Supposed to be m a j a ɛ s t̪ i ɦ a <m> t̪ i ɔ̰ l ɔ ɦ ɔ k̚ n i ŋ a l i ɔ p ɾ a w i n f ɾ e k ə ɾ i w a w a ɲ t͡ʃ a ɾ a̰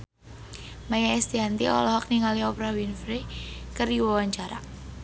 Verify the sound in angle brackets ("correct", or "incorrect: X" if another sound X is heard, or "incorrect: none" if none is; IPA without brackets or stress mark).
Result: incorrect: n